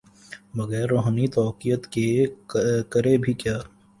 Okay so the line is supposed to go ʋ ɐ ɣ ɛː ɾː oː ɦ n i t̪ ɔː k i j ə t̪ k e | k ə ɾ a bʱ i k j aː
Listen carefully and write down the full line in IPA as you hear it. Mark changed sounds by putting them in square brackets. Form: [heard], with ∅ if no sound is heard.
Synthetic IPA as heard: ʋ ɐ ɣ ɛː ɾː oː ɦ n i t̪ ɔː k i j ə t̪ k e | k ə ɾ [e] bʱ i k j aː